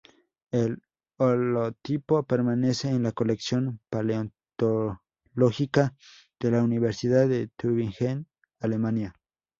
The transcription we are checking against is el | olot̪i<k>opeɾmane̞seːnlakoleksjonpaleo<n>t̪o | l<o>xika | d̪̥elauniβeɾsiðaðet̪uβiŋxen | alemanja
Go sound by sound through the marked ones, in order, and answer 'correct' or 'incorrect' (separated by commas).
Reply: incorrect, correct, correct